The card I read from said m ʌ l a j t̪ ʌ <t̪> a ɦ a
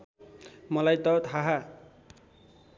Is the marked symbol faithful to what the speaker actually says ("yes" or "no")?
no